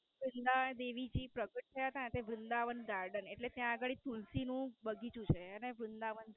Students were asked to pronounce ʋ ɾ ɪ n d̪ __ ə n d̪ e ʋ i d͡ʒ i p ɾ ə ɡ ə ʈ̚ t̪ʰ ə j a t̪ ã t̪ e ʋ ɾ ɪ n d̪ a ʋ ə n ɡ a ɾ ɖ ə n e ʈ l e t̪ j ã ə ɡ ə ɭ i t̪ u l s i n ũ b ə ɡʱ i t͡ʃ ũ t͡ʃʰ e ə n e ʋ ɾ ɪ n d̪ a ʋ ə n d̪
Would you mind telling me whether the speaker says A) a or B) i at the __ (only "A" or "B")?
A